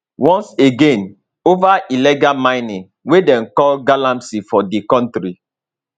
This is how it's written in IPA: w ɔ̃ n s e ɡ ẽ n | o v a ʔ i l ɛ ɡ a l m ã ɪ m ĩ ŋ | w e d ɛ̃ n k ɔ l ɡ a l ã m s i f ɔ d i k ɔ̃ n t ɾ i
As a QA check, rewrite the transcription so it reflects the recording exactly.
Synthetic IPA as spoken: w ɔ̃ n s e ɡ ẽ n | o v a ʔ i l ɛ ɡ a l m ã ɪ n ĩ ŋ | w e d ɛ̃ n k ɔ l ɡ a l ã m s i f ɔ d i k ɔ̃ n t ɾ i

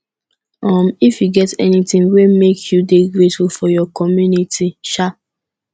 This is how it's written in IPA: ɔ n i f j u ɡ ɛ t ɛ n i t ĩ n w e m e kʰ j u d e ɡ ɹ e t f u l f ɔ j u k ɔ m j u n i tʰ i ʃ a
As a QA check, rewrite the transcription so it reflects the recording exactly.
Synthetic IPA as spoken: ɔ m i f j u ɡ ɛ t ɛ n i t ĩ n w e m e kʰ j u d e ɡ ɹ e t f u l f ɔ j ɔ k ɔ m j u n i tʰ i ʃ a

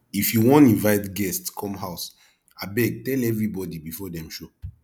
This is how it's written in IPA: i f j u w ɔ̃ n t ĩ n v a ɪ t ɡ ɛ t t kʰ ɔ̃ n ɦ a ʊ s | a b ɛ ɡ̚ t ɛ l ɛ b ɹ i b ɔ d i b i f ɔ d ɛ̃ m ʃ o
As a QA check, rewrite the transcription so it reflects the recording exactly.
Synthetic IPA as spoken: i f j u w ɔ̃ n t ĩ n v a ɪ t ɡ ɛ s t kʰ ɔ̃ m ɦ a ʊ s | a b ɛ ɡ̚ t ɛ l ɛ v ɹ i b ɔ d i b i f ɔ d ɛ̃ m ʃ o

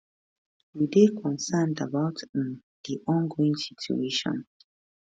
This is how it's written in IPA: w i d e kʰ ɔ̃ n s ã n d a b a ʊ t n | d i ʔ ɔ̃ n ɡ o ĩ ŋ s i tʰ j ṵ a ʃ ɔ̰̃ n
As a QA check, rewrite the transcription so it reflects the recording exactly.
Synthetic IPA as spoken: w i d e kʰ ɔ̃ n s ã n d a b a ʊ t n | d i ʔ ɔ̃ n ɡ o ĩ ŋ s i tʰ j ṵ e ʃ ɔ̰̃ n

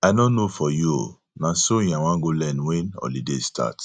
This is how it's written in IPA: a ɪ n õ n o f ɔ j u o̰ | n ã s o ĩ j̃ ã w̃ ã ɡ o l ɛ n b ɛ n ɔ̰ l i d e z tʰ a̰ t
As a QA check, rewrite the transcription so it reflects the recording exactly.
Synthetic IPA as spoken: a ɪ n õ n o f ɔ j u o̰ | n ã s o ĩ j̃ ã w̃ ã ɡ o l ɛ n w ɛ n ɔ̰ l i d e s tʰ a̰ t

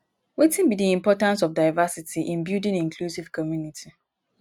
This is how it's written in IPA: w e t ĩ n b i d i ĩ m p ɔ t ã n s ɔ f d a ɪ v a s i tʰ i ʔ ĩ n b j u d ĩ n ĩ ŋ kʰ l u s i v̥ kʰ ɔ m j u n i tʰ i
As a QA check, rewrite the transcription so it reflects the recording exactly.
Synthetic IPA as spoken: w e t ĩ n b i d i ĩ m p ɔ t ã n s ɔ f d a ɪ v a s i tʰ i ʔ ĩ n b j u d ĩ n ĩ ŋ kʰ l u s i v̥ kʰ ɔ m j u n i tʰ i

